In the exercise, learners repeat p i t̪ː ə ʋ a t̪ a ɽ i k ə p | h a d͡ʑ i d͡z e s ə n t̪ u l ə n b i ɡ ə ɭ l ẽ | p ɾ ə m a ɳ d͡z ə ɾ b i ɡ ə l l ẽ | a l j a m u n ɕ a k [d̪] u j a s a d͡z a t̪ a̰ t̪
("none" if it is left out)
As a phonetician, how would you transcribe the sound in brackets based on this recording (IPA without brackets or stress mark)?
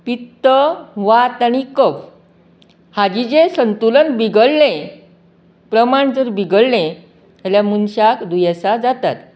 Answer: d̪